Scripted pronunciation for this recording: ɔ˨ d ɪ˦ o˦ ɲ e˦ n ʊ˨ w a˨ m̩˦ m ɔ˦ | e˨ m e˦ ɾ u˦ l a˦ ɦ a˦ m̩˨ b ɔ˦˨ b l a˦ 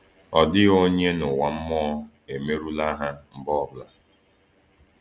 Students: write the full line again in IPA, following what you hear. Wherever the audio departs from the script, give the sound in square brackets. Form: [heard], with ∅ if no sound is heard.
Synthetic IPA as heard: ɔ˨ d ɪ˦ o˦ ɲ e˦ n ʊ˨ w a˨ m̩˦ m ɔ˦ | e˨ m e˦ ɾ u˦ l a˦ ɦ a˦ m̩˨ b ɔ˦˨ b l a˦